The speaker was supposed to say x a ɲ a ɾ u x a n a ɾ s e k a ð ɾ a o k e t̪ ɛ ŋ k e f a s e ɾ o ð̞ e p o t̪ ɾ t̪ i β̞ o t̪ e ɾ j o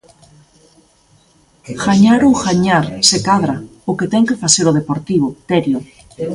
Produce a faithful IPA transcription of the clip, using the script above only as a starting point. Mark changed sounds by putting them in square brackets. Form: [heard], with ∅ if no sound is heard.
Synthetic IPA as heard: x a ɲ a ɾ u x a [ɲ] a ɾ s e k a ð ɾ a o k e t̪ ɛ ŋ k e f a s e ɾ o ð̞ e p o [∅] ɾ t̪ i β̞ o t̪ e ɾ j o

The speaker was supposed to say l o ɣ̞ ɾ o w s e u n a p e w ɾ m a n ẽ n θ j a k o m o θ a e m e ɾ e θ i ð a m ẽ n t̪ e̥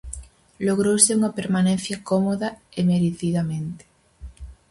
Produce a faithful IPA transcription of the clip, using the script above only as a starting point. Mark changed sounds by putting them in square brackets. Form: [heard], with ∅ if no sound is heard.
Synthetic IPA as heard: l o ɣ̞ ɾ o w s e u [ŋ] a p e [∅] ɾ m a n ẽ n θ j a k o m o [ð] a e m e ɾ e θ i ð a m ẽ n t̪ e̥

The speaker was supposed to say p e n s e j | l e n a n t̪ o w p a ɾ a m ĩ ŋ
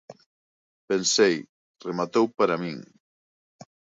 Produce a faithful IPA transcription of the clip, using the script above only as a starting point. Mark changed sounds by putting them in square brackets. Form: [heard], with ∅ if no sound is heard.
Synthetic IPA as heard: p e n s e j | [r] e [m] a [∅] t̪ o w p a ɾ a m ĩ ŋ

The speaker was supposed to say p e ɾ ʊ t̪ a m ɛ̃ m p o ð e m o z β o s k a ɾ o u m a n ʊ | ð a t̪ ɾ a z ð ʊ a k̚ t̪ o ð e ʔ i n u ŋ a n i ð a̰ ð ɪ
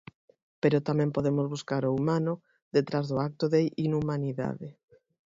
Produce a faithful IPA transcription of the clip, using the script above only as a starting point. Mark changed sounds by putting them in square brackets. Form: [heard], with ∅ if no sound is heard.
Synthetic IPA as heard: p e ɾ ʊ t̪ a m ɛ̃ m p o ð e m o z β [u] s k a ɾ o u m a n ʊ | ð [e] t̪ ɾ a z ð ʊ a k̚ t̪ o ð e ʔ i n u [m] a n i ð a̰ ð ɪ

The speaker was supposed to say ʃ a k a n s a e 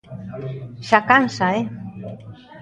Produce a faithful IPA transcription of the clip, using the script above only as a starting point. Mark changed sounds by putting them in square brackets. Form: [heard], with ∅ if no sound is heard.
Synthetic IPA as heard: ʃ a k a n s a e

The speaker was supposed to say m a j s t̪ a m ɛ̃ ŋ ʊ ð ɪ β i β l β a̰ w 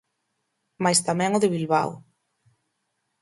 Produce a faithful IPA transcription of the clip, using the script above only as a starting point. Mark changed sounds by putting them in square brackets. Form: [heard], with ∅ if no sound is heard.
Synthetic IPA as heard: m a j s t̪ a m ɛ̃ ŋ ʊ ð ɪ β i [∅] l β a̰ w

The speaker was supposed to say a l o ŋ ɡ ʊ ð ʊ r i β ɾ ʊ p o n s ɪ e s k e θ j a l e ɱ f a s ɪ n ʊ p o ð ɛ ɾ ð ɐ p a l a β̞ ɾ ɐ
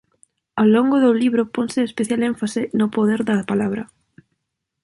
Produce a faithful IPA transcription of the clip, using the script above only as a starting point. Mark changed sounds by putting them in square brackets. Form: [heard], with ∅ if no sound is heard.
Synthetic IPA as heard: a l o ŋ ɡ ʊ ð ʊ [l] i β ɾ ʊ p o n s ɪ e s [p] e θ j a l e ɱ f a s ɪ n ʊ p o ð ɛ ɾ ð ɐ p a l a β̞ ɾ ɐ

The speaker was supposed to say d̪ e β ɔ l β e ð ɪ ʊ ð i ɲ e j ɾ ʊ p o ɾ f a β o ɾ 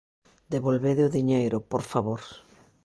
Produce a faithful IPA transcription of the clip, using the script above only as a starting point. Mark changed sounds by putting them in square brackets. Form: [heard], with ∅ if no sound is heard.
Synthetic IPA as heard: d̪ e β [o] l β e ð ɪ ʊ ð i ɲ e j ɾ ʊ p o ɾ f a β o ɾ

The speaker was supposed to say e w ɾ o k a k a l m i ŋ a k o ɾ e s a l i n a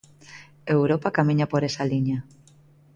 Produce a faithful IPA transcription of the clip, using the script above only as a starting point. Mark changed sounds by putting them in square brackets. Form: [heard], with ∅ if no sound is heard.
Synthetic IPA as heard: e w ɾ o [p] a k a [∅] m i [ɲ] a [p] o ɾ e s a l i [ɲ] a

